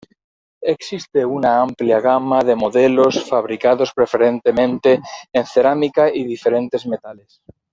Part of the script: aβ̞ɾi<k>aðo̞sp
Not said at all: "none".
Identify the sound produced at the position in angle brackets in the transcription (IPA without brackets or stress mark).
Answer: k